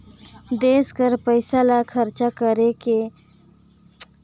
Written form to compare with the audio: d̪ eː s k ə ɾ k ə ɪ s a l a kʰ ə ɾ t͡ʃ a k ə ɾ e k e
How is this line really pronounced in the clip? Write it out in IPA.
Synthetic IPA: d̪ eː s k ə ɾ p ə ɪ s a l a kʰ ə ɾ t͡ʃ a k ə ɾ e k e